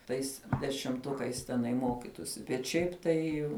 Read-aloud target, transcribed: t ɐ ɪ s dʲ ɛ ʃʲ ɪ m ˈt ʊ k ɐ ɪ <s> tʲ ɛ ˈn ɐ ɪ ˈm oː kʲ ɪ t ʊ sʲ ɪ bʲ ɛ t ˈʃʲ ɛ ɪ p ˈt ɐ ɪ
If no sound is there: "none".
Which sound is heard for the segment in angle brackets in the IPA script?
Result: s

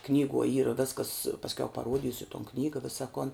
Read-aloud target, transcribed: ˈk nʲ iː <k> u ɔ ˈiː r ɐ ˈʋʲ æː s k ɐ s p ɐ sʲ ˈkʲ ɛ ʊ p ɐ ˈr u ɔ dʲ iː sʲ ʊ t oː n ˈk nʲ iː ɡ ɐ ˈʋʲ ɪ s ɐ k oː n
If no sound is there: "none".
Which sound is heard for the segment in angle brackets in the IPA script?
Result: ɡ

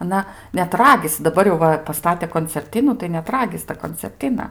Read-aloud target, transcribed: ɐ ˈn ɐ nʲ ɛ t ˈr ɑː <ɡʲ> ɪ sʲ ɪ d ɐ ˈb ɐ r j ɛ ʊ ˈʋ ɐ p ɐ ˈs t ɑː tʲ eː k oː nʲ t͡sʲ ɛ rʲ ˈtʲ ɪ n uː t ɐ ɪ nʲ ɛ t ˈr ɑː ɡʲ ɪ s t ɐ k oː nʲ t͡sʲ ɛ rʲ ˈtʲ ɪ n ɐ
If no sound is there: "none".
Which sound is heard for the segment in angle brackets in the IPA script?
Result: ɡʲ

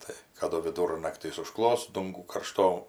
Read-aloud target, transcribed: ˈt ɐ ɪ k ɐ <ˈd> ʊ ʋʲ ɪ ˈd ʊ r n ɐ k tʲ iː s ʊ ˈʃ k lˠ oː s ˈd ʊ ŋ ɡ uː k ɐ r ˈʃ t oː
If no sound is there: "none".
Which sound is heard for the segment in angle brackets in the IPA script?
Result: d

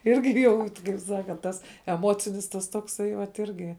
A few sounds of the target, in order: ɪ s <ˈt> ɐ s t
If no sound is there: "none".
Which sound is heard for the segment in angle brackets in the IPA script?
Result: t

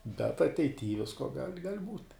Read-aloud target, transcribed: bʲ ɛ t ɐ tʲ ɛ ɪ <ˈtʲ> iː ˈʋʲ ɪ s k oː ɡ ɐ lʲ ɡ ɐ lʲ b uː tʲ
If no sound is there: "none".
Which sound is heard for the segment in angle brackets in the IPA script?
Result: tʲ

